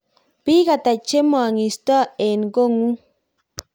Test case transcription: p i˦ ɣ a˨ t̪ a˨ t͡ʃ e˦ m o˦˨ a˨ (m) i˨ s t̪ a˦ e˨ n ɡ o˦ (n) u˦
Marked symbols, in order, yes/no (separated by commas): no, no